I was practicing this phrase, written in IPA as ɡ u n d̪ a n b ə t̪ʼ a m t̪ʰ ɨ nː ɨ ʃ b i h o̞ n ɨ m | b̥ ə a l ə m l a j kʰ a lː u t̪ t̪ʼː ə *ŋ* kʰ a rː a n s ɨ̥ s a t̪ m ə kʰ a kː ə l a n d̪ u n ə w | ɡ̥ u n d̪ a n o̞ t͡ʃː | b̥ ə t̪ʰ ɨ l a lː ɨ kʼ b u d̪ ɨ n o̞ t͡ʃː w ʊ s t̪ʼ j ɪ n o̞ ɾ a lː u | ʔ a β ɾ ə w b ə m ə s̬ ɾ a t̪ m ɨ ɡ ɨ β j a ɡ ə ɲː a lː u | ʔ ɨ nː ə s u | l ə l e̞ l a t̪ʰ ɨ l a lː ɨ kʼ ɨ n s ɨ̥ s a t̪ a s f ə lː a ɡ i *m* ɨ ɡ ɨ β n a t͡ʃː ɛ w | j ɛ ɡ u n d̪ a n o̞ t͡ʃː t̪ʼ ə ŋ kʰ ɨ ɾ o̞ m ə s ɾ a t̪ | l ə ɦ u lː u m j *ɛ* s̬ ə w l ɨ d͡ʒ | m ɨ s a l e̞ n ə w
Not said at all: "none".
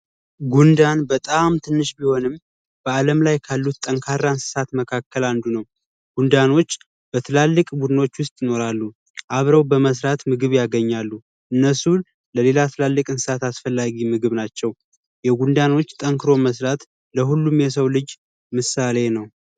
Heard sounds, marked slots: ŋ, m, ɛ

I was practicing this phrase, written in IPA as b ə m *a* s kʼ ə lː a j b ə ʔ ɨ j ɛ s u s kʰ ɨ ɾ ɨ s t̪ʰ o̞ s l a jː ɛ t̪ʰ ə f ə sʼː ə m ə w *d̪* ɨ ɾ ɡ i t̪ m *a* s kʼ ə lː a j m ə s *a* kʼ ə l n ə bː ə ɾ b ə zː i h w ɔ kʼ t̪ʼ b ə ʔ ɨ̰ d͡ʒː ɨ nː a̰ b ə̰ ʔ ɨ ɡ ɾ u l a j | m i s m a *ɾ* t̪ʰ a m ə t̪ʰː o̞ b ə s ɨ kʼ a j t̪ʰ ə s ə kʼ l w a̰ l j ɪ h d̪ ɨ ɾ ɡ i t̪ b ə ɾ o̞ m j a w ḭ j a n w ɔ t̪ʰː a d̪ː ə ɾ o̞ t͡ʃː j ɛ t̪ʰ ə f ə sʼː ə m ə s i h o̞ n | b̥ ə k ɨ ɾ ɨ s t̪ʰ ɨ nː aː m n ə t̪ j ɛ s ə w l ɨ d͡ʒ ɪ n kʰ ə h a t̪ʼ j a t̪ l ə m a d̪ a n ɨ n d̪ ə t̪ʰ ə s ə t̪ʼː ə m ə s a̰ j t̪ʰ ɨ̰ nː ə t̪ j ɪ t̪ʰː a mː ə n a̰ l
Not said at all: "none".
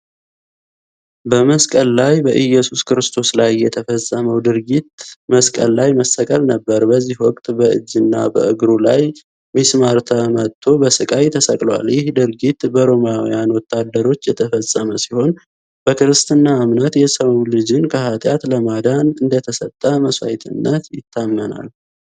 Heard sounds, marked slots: ə, d̪, ə, ə, ɾ

